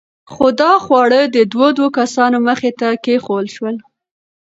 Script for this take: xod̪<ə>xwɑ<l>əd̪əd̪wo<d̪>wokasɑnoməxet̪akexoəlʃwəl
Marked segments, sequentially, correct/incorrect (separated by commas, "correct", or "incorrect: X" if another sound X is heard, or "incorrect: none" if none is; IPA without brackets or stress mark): incorrect: ɑ, incorrect: ɽ, correct